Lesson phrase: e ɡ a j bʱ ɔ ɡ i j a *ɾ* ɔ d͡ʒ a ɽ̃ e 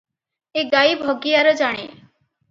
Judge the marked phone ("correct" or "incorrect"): correct